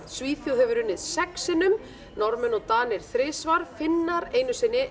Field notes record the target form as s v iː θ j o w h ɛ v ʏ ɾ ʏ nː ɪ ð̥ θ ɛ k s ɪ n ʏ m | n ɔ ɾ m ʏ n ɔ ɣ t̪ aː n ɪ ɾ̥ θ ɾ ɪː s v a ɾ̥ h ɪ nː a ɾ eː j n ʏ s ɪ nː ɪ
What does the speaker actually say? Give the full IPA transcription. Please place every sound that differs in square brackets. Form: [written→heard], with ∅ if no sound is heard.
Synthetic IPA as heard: s v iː θ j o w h ɛ v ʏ ɾ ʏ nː ɪ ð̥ [θ→s] ɛ k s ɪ n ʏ m | n ɔ ɾ m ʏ n ɔ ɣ t̪ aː n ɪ ɾ̥ θ ɾ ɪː s v a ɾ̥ [h→f] ɪ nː a ɾ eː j n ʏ s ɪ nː ɪ